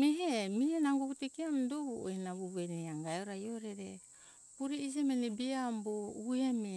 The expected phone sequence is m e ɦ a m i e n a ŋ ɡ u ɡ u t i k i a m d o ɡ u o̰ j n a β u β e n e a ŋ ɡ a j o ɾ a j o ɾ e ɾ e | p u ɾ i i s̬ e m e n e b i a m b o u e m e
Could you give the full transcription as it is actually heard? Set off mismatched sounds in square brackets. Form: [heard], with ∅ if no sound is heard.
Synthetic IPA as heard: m e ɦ [e] m i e n a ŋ ɡ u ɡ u t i k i a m d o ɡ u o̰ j n a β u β e n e a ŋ ɡ a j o ɾ a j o ɾ e ɾ e | p u ɾ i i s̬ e m e n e b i a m b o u e m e